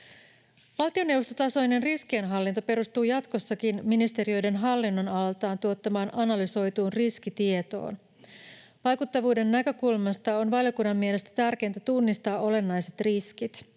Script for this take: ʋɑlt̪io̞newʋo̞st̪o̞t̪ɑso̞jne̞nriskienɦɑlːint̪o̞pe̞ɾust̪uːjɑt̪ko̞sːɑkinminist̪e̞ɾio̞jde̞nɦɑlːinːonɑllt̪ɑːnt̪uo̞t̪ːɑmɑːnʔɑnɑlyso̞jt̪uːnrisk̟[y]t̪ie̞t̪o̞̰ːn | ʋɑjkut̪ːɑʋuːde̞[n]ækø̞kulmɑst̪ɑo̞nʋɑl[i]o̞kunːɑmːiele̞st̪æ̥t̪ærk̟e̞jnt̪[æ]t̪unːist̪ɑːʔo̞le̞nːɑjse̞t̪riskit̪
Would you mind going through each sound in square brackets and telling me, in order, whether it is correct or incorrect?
incorrect, incorrect, incorrect, correct

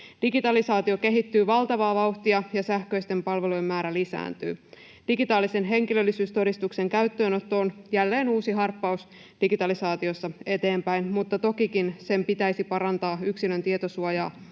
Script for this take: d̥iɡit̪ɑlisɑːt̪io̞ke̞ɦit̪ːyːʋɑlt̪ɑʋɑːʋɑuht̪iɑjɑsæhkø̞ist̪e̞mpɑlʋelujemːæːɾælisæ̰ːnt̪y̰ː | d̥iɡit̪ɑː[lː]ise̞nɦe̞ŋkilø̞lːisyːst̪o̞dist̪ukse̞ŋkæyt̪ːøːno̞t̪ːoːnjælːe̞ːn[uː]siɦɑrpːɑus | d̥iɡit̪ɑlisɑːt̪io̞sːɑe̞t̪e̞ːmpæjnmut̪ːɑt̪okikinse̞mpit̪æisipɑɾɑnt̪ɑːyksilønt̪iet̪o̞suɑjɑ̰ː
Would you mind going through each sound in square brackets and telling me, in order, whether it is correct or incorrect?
incorrect, correct

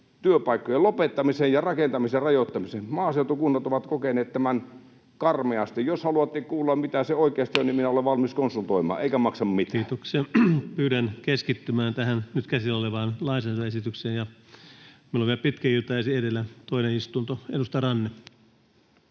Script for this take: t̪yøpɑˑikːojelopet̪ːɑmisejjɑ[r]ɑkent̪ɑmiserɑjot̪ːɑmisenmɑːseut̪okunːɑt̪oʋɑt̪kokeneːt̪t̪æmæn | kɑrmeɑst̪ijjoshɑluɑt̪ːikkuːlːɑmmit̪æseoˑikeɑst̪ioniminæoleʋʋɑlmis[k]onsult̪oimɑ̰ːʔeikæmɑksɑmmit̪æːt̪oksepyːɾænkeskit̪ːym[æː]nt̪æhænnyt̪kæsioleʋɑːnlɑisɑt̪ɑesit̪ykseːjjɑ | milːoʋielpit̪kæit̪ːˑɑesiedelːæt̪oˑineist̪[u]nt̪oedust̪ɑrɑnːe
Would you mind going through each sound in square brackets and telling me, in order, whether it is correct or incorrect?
correct, correct, correct, correct

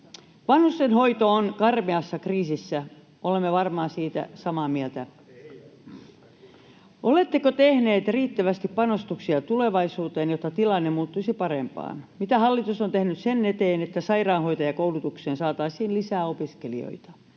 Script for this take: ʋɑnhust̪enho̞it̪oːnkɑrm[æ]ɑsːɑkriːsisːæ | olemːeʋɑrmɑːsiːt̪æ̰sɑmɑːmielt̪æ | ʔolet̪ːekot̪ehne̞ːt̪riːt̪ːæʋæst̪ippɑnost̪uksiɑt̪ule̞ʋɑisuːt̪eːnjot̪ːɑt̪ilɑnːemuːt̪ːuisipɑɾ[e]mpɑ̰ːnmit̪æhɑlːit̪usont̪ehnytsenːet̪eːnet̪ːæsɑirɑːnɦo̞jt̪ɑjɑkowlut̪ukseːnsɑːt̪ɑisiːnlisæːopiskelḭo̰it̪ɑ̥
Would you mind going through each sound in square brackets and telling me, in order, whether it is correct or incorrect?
incorrect, correct

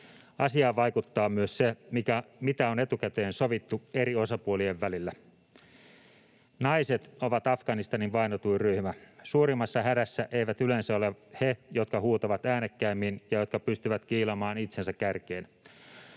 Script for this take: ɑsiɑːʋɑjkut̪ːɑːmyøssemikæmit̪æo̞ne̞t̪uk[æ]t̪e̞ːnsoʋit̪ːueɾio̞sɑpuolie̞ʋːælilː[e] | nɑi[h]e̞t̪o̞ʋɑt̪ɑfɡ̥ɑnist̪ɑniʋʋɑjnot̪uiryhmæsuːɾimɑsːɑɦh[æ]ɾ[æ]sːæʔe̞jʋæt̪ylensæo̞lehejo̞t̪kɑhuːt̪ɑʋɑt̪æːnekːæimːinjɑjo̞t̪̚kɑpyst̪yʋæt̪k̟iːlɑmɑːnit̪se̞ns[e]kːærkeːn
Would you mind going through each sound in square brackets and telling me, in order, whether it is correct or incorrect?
correct, incorrect, incorrect, correct, correct, incorrect

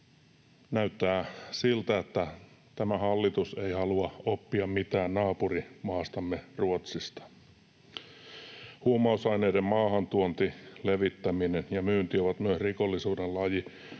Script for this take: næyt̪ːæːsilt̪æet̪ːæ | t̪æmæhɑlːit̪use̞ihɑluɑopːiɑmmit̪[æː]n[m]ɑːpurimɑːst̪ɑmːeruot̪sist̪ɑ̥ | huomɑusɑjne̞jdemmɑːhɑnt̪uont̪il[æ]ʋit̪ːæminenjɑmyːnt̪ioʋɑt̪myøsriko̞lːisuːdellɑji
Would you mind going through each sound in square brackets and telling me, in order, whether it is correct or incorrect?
correct, incorrect, incorrect

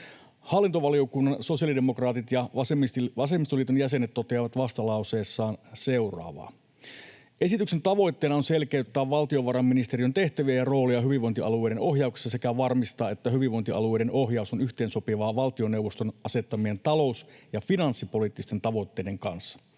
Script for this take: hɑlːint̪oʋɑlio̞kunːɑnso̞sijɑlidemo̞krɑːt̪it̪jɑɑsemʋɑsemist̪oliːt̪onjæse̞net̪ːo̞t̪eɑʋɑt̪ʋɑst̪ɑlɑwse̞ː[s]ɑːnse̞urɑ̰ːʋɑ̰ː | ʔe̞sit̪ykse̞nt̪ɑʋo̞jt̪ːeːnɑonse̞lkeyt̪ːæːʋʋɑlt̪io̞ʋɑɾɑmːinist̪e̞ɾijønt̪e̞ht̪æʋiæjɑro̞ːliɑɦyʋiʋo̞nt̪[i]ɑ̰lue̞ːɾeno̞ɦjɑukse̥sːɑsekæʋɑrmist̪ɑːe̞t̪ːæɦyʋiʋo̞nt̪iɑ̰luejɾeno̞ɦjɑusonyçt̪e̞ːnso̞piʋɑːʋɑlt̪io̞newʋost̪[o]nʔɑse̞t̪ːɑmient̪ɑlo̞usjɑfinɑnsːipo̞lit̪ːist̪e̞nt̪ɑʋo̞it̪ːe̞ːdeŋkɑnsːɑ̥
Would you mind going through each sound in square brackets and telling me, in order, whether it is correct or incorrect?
incorrect, correct, correct

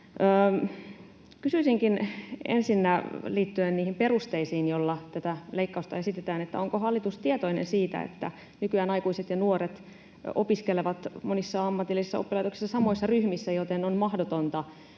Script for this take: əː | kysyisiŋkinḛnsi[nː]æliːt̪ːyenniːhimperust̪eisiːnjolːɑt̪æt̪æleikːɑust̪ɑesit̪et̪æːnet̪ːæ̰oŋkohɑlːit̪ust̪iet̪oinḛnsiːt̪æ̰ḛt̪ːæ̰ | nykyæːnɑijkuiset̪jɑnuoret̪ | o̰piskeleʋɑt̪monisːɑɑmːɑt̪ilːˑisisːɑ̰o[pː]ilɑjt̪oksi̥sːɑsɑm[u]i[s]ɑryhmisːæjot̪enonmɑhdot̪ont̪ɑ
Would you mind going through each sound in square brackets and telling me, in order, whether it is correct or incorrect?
correct, correct, incorrect, incorrect

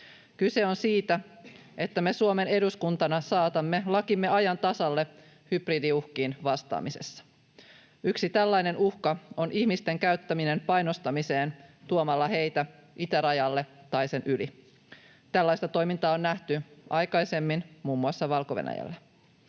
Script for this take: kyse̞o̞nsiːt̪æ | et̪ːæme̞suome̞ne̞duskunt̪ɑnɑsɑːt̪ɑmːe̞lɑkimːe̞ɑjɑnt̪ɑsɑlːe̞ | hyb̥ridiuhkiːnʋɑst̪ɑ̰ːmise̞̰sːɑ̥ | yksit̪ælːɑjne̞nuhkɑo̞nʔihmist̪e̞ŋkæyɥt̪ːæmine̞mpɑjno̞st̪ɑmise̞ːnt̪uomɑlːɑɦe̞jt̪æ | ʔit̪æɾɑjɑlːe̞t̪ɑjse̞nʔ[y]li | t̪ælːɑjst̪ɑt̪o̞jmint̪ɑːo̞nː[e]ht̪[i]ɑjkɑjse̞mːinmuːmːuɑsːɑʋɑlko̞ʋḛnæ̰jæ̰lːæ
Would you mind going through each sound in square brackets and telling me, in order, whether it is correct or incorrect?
correct, incorrect, incorrect

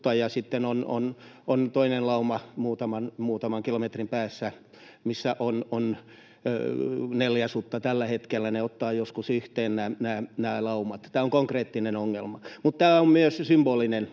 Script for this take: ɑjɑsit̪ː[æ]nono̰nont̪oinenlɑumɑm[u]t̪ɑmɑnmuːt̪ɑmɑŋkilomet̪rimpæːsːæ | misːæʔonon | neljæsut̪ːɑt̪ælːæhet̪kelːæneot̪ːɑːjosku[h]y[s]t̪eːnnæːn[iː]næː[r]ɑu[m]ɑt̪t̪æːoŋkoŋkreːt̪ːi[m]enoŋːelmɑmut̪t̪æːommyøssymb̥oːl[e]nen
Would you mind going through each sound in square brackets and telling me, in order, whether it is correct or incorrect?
incorrect, incorrect, incorrect, incorrect, incorrect, incorrect, correct, incorrect, incorrect

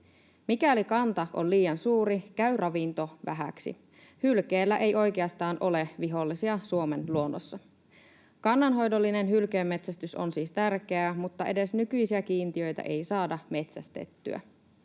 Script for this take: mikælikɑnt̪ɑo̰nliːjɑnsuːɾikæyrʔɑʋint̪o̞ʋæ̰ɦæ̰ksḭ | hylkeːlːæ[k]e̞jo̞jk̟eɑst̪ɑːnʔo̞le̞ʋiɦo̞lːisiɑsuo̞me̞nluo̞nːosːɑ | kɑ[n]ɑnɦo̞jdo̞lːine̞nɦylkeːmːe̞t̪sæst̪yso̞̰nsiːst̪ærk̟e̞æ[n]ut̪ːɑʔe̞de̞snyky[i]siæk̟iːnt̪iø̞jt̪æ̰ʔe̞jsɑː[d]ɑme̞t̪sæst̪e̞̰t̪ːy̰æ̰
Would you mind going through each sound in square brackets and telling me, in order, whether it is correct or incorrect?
incorrect, incorrect, incorrect, incorrect, correct

